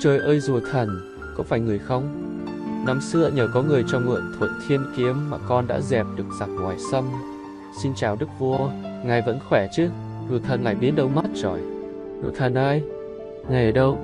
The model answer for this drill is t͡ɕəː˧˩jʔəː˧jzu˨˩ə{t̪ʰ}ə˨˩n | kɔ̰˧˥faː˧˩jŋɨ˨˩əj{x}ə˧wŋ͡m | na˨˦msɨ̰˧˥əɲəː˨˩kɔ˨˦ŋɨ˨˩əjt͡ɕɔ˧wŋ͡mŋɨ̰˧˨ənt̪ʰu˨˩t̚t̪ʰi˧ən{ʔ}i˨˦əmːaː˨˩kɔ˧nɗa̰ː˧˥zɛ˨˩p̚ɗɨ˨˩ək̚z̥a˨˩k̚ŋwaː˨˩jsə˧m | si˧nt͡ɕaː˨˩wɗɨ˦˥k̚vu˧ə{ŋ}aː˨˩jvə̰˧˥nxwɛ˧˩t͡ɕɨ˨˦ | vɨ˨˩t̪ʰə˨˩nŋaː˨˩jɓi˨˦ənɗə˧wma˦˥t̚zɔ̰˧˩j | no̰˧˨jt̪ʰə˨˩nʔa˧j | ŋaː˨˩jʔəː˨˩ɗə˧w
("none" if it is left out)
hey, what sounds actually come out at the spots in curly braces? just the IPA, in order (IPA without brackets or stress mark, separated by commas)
t̪ʰ, x, k, ŋ